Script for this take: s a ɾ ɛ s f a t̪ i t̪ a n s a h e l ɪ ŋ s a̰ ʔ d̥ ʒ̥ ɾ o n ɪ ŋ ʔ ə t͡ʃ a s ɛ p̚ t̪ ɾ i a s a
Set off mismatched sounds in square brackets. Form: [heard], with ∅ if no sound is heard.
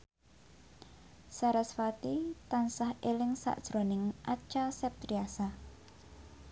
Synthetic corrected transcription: s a ɾ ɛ s f a t̪ i t̪ a n s a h e l ɪ ŋ s a̰ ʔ d̥ ʒ̥ ɾ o n ɪ ŋ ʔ [a] t͡ʃ a s ɛ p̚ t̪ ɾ i a s a